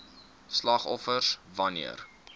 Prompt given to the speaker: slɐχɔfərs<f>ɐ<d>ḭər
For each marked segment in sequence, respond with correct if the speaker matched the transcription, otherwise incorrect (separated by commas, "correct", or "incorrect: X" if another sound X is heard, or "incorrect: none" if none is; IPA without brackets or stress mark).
incorrect: v, incorrect: n